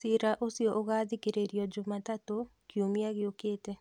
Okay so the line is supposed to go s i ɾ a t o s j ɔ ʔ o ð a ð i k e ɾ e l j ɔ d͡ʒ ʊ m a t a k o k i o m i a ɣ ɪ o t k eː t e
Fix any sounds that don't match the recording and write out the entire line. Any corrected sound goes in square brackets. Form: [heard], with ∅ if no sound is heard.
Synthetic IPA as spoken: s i ɾ a [ʔ] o s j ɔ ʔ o [ɣ] a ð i k e ɾ e [ɾ] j ɔ d͡ʒ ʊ m a t a [t] o k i o m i a ɣ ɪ o [∅] k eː t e